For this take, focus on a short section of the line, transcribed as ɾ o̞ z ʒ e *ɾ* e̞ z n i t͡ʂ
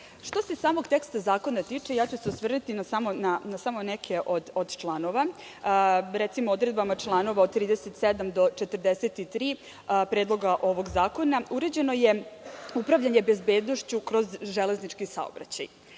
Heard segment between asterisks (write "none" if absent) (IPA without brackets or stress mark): l